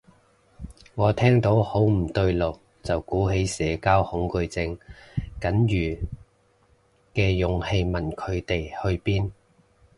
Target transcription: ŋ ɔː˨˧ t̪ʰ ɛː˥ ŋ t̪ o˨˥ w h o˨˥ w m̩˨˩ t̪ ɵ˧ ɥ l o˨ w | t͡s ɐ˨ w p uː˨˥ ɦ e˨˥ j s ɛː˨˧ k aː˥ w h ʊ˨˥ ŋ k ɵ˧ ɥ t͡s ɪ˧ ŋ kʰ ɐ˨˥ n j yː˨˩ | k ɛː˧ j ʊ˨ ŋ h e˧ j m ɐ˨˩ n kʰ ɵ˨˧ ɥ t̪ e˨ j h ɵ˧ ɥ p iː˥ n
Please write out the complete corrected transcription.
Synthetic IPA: ŋ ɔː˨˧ t̪ʰ ɛː˥ ŋ t̪ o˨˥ w h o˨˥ w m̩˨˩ t̪ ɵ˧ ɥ l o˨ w | t͡s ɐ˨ w k uː˨˥ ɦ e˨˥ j s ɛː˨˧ k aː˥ w h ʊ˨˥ ŋ k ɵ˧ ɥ t͡s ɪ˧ ŋ k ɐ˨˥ n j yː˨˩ | k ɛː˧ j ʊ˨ ŋ h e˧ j m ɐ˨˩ n kʰ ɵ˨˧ ɥ t̪ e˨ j h ɵ˧ ɥ p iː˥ n